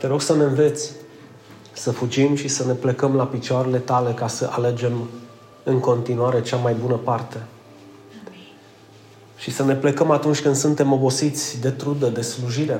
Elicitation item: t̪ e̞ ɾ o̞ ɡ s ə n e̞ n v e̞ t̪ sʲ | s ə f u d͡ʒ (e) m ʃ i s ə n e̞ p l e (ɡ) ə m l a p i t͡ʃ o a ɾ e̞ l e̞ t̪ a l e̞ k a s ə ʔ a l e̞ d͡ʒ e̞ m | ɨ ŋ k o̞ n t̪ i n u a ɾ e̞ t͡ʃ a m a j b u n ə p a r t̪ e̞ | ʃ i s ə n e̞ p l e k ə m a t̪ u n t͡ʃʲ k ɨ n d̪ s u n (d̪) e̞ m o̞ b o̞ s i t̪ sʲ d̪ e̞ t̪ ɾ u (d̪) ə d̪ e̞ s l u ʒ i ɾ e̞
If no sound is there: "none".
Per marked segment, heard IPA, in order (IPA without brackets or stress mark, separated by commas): i, k, t̪, d̪